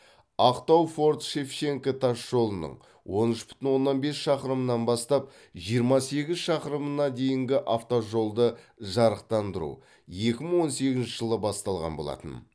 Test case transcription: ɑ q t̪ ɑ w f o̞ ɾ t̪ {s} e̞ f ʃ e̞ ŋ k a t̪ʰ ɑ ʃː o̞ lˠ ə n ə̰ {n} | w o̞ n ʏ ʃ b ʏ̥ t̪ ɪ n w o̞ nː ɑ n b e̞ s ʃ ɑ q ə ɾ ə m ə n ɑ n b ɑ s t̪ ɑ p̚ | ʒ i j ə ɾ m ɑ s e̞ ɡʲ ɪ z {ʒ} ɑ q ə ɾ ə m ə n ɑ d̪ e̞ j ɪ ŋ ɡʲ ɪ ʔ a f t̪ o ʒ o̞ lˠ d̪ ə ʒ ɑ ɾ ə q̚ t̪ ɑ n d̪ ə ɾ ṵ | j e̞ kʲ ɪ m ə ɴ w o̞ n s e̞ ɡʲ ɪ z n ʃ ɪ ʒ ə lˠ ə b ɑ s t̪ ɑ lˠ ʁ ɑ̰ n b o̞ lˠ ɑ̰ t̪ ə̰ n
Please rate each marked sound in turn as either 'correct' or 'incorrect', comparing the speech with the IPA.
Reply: incorrect, incorrect, incorrect

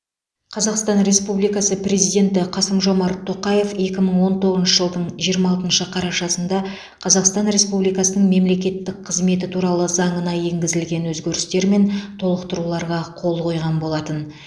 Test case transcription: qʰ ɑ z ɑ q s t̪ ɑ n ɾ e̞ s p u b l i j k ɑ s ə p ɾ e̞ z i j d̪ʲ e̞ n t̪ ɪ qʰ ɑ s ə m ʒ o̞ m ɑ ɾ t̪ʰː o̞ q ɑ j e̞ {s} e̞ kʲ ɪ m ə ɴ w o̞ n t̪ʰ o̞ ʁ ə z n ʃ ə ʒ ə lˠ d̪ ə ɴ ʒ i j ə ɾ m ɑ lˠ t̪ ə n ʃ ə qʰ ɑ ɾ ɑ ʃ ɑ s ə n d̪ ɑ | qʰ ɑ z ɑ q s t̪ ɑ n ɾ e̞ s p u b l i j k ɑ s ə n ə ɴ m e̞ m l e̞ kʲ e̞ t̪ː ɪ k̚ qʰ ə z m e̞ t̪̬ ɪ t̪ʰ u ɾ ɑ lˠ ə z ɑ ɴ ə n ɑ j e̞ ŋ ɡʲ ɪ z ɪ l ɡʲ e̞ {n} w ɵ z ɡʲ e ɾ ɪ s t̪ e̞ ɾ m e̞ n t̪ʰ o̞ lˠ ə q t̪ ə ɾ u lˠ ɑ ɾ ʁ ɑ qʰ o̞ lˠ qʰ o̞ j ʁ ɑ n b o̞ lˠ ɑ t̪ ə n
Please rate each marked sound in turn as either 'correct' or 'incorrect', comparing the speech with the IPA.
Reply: incorrect, correct

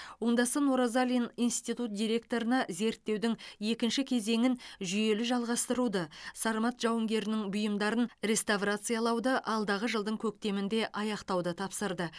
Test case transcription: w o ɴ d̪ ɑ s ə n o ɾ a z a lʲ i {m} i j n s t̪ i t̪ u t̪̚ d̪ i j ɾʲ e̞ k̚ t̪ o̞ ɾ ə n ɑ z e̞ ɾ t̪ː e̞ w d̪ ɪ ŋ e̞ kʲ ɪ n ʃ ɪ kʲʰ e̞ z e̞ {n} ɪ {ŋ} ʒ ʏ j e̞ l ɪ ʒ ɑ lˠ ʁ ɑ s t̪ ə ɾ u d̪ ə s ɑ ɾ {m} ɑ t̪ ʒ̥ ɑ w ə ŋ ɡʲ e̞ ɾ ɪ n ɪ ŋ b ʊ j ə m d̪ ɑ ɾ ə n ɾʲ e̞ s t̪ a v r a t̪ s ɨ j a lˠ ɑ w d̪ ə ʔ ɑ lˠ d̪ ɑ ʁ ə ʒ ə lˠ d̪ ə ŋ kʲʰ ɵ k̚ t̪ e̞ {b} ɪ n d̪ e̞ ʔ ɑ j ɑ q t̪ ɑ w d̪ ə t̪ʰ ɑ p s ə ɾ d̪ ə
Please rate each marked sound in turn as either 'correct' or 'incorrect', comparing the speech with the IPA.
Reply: incorrect, incorrect, incorrect, correct, incorrect

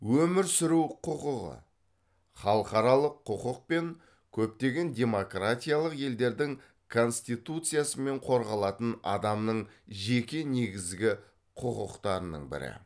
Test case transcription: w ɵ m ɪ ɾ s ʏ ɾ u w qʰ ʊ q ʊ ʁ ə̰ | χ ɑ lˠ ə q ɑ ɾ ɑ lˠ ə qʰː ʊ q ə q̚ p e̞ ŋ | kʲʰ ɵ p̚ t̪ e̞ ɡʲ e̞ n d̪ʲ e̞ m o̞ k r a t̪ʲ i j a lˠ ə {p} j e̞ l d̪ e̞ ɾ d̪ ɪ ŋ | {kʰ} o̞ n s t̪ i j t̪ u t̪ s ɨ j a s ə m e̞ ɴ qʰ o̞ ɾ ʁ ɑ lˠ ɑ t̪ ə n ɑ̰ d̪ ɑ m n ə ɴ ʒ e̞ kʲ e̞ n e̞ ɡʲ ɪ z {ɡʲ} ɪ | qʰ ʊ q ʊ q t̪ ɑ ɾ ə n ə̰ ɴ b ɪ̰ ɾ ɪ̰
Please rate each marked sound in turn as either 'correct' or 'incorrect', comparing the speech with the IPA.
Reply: incorrect, correct, correct

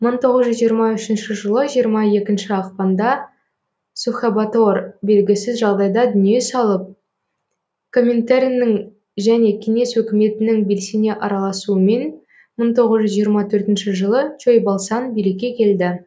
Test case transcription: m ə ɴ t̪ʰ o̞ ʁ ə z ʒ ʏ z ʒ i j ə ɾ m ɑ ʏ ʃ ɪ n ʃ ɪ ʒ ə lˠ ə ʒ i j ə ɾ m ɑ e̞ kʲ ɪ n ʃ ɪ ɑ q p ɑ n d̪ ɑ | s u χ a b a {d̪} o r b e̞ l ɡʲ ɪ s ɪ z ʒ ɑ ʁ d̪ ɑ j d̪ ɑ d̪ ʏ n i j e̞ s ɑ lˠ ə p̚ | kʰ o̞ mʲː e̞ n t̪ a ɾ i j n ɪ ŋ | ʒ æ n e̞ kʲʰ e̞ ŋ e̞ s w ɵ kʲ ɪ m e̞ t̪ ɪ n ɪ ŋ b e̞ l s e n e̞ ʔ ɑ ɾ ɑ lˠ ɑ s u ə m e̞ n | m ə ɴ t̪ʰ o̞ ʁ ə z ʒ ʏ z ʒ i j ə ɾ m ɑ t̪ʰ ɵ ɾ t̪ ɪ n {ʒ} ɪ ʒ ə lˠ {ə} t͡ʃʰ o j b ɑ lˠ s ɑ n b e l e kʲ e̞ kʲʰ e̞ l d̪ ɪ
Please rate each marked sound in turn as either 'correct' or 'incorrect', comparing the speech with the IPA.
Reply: incorrect, incorrect, correct

